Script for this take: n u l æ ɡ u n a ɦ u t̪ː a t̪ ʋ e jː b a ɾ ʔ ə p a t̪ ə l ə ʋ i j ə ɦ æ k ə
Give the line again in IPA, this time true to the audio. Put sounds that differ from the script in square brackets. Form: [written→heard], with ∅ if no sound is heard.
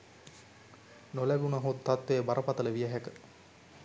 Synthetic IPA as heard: n [u→o] l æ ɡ u n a ɦ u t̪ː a t̪ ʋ e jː b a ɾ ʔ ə p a t̪ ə l ə ʋ i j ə ɦ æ k ə